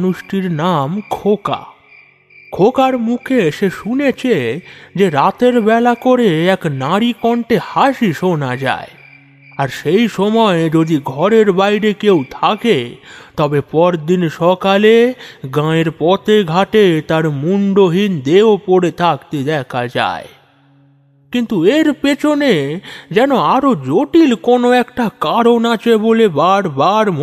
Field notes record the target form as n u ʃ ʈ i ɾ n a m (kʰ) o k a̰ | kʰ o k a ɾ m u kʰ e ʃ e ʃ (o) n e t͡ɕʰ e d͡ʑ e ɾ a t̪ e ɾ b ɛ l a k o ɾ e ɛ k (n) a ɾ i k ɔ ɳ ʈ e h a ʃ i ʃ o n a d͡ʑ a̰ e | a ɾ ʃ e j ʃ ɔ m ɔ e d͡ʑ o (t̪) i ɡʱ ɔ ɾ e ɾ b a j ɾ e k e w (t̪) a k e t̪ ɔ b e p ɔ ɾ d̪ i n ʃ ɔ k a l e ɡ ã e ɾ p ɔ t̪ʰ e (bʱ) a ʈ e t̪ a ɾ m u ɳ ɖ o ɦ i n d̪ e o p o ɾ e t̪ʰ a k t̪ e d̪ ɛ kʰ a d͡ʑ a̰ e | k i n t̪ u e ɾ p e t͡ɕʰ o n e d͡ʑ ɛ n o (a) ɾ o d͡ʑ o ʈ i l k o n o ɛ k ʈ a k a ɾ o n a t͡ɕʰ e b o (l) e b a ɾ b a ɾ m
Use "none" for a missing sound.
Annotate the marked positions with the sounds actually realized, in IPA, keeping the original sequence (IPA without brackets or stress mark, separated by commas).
kʰ, u, n, d̪, t̪ʰ, ɡʱ, a, l